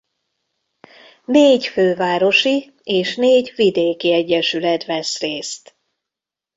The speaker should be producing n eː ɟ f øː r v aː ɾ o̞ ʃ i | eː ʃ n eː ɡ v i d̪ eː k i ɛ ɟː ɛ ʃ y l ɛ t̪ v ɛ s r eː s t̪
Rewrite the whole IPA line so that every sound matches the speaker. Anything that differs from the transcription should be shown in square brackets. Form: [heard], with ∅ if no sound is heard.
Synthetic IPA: n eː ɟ f øː [∅] v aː ɾ o̞ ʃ i | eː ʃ n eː [ɟ] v i d̪ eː k i ɛ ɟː ɛ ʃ y l ɛ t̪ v ɛ s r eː s t̪